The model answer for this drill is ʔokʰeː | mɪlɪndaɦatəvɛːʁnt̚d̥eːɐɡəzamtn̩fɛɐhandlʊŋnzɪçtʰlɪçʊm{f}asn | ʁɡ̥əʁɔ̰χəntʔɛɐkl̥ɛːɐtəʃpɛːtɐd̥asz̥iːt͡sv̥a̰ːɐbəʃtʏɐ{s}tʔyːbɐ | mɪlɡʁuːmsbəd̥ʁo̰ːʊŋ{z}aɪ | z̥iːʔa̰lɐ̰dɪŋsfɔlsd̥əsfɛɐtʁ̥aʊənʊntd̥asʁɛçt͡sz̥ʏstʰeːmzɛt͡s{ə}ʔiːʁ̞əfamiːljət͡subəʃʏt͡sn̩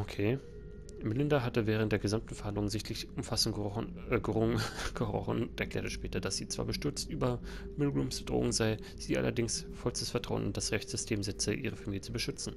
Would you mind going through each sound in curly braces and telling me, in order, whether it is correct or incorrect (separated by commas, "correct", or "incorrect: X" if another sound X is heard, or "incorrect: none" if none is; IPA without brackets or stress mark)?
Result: correct, incorrect: t͡s, correct, correct